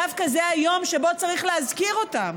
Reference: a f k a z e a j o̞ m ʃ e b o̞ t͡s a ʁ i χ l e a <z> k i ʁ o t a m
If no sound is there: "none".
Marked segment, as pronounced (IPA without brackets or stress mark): z